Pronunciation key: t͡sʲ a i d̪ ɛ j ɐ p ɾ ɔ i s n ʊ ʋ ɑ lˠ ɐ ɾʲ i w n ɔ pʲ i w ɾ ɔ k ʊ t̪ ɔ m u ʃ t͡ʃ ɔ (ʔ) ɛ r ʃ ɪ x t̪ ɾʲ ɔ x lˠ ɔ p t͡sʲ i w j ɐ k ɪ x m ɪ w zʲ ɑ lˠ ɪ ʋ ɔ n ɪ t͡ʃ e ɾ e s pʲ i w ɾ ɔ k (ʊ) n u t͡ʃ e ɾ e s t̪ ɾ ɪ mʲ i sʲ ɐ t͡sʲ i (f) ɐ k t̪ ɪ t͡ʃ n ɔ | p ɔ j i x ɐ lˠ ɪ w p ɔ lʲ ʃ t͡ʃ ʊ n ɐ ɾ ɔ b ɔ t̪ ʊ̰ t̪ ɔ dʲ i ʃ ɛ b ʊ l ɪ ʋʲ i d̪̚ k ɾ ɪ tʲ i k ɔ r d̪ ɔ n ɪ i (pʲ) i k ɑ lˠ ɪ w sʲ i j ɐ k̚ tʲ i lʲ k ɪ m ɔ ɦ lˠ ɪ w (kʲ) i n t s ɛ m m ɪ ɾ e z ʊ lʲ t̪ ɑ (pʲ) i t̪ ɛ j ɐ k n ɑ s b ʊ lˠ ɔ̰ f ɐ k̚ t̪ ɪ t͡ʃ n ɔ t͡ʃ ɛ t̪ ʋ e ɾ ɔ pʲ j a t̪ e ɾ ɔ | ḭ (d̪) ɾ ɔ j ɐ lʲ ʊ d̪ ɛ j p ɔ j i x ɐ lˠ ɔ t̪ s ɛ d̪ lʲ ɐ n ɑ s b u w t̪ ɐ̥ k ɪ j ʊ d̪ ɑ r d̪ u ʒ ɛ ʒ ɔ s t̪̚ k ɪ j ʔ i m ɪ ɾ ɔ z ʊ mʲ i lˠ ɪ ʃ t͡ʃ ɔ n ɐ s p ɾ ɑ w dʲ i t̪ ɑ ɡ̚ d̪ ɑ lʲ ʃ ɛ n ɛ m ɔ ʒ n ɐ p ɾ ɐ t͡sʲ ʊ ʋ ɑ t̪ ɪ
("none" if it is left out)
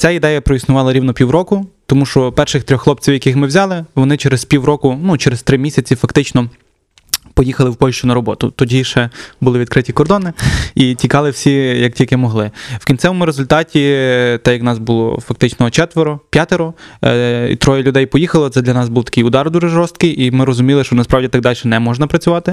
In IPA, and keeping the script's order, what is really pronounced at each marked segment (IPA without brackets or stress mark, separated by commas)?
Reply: p, ʊ, f, tʲ, kʲ, tʲ, t̪